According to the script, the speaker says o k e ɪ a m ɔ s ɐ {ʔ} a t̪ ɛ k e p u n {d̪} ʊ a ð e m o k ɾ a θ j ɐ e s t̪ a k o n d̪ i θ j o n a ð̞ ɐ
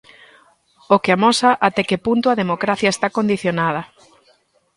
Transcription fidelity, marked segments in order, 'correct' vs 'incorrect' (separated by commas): correct, incorrect